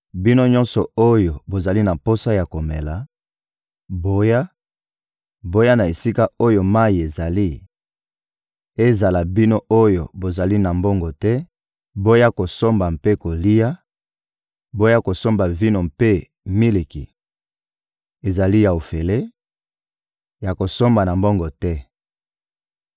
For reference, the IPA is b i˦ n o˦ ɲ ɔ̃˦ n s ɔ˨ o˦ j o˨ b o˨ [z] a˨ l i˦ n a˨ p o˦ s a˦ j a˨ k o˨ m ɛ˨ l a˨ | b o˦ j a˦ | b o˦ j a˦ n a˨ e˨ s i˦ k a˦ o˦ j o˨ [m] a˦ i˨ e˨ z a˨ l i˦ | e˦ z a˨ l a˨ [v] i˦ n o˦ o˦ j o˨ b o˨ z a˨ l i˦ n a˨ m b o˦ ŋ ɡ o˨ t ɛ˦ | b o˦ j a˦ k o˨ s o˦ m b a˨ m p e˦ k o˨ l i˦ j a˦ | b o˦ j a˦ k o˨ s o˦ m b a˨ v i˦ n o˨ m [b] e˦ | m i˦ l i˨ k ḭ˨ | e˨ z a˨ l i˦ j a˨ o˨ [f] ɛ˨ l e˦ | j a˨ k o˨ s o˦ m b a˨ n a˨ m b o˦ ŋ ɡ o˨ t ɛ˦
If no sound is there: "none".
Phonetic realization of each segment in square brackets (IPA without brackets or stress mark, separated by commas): z, m, b, p, f